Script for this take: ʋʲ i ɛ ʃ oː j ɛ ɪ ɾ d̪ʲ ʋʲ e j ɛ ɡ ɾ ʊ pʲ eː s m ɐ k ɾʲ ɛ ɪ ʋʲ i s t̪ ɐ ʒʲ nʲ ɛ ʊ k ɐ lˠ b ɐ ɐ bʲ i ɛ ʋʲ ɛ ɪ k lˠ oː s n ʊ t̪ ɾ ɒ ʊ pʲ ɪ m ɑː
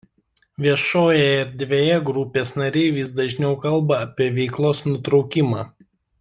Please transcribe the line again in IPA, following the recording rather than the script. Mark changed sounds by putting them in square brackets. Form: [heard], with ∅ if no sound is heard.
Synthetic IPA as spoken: ʋʲ i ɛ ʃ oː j ɛ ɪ ɾ d̪ʲ ʋʲ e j ɛ ɡ ɾ ʊ pʲ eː s [n] ɐ [∅] ɾʲ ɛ ɪ ʋʲ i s [d̪] ɐ ʒʲ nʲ ɛ ʊ k ɐ lˠ b ɐ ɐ [pʲ] i ɛ ʋʲ ɛ ɪ k lˠ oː s n ʊ t̪ ɾ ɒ ʊ [kʲ] ɪ m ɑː

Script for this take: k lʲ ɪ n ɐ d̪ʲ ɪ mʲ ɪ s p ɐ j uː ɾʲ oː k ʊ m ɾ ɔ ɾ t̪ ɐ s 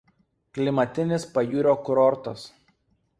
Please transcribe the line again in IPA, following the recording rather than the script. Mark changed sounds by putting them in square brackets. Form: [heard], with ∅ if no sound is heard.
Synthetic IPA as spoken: k lʲ ɪ [m] ɐ [t̪ʲ] ɪ [nʲ] ɪ s p ɐ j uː ɾʲ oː k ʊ [∅] ɾ ɔ ɾ t̪ ɐ s

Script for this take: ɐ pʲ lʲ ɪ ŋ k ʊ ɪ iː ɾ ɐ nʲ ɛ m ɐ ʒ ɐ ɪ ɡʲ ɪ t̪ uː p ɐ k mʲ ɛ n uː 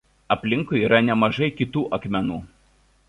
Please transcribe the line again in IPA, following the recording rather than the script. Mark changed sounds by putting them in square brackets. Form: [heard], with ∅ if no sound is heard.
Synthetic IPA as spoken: ɐ pʲ lʲ ɪ ŋ k ʊ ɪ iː ɾ ɐ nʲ ɛ m ɐ ʒ ɐ ɪ [kʲ] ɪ t̪ uː [ʔ] ɐ k mʲ ɛ n uː

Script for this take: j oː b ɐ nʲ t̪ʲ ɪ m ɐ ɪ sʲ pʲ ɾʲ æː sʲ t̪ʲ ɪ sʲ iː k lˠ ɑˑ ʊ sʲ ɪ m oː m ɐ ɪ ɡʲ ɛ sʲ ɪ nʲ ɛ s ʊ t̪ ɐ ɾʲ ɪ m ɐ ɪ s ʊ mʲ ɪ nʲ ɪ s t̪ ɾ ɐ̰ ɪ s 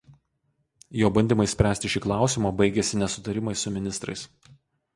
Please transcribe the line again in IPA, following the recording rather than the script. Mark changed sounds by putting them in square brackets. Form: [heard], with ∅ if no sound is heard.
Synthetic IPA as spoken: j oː b ɐ nʲ [d̪ʲ] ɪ m ɐ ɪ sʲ pʲ ɾʲ æː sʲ t̪ʲ ɪ [ʃʲ] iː k lˠ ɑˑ ʊ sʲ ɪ m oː [b] ɐ ɪ ɡʲ ɛ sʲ ɪ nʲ ɛ s ʊ t̪ ɐ ɾʲ ɪ m ɐ ɪ s ʊ mʲ ɪ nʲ ɪ s t̪ ɾ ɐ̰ ɪ s

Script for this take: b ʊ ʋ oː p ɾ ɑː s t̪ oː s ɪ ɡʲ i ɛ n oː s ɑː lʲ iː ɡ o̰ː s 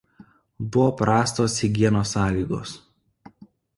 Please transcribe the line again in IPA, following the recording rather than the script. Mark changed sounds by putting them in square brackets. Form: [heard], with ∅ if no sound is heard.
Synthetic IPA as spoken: b ʊ ʋ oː p ɾ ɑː s t̪ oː s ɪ ɡʲ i ɛ n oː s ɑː lʲ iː ɡ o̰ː s

